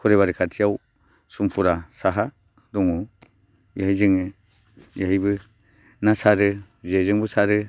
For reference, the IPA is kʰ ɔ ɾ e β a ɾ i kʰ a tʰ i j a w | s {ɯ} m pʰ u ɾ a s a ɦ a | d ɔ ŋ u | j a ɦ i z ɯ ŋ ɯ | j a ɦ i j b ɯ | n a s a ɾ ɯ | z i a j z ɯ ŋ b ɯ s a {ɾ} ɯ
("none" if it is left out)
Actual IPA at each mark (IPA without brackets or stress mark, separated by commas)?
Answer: u, ɾ